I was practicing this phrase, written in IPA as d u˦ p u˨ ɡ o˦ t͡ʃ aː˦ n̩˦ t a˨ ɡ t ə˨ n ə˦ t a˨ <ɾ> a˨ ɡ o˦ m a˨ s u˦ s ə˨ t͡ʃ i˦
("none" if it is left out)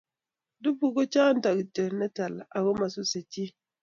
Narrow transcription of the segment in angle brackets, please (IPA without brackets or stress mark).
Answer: l